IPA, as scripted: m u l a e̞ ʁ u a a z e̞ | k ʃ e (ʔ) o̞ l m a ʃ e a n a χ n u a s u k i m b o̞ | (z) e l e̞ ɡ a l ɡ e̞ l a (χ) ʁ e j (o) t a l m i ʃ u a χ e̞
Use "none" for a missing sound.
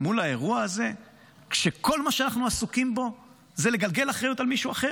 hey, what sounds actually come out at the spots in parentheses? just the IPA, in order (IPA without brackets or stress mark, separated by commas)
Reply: k, z, χ, u